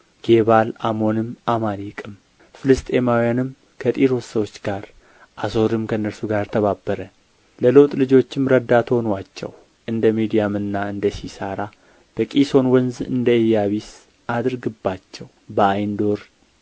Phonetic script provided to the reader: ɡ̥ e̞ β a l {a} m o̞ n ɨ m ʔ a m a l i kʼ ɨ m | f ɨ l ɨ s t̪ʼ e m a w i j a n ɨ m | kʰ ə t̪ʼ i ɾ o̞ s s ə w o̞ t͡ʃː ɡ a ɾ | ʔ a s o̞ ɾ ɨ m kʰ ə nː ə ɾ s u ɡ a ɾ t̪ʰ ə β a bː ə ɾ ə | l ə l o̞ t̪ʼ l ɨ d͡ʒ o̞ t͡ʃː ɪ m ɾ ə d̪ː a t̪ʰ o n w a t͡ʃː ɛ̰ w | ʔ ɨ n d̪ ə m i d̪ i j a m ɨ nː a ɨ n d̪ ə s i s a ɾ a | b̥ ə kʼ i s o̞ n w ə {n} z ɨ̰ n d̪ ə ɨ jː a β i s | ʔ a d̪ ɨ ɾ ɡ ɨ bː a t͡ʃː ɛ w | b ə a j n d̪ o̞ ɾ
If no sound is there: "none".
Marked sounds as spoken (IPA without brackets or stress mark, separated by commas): a, n